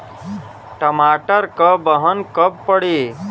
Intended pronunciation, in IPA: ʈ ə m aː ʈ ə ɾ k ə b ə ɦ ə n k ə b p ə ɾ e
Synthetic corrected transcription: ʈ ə m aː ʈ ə ɾ k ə b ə ɦ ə n k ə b p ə ɽ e